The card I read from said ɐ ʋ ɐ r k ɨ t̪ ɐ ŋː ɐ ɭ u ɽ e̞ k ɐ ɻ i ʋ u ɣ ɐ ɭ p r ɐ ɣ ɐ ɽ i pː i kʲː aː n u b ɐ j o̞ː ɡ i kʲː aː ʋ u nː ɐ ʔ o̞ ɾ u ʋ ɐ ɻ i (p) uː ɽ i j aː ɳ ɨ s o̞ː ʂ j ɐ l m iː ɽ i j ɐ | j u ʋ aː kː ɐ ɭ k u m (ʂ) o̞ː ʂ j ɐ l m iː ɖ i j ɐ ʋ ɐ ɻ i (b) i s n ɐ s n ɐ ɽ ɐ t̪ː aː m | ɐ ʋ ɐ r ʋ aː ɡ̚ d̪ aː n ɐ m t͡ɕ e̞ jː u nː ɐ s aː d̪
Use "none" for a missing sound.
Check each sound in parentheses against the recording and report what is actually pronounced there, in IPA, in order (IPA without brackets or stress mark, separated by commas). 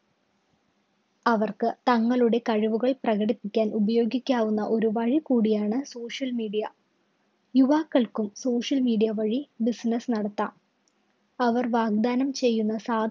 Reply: k, s, b